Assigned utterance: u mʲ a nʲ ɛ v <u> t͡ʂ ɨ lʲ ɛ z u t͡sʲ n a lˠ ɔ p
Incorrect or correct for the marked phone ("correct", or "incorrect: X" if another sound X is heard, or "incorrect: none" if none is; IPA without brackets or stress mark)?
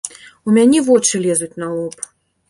incorrect: ɔ